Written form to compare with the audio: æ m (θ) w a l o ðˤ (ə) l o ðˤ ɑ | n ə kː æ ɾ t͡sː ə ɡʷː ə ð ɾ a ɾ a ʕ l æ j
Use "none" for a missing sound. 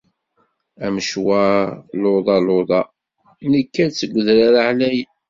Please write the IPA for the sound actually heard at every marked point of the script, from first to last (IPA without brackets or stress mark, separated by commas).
ʃ, ɑ